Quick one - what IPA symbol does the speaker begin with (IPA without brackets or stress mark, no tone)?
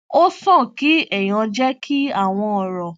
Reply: o